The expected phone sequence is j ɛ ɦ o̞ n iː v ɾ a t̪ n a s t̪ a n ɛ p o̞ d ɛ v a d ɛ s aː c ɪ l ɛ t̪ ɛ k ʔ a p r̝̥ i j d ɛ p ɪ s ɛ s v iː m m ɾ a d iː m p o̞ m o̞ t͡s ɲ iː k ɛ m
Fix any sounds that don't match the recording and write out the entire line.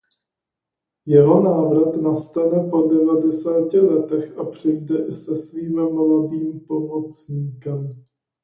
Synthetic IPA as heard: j ɛ ɦ o̞ n aː v ɾ a t̪ n a s t̪ a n ɛ p o̞ d ɛ v a d ɛ s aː c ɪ l ɛ t̪ ɛ x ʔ a p r̝̥ ɪ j d ɛ ʔ ɪ s ɛ s v iː m m l a d iː m p o̞ m o̞ t͡s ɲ iː k ɛ m